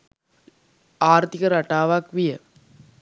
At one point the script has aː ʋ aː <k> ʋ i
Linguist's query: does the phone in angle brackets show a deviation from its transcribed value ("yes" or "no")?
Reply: no